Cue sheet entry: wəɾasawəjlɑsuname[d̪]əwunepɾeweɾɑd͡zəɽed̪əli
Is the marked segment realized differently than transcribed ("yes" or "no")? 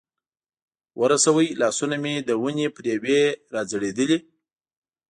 no